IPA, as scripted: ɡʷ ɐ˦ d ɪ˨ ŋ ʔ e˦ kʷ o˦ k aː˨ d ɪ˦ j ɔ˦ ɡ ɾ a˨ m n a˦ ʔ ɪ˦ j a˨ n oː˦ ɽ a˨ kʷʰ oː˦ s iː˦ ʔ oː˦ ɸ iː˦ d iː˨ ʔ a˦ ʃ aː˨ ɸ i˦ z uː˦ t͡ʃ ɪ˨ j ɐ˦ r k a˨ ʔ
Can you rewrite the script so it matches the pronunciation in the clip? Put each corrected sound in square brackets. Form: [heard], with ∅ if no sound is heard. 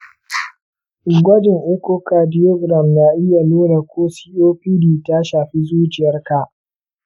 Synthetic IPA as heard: ɡʷ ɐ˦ d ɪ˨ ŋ ʔ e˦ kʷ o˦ k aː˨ d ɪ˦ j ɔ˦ ɡ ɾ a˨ m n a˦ ʔ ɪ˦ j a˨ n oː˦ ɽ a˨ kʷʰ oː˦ s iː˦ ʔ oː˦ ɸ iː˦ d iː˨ [t] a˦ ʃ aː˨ ɸ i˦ z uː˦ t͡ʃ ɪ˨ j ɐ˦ r k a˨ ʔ